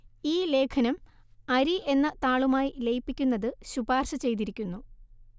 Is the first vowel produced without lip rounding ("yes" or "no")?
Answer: yes